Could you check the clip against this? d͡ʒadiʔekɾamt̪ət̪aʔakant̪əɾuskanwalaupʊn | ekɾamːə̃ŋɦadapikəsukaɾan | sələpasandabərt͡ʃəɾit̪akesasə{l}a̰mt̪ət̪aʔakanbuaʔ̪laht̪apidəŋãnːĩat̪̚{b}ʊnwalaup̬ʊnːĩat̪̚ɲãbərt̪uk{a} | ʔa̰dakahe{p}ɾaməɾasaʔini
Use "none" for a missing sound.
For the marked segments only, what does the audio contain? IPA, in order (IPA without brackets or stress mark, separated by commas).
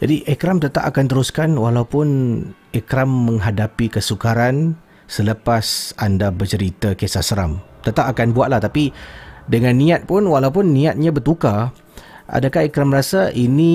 ɾ, p, a, k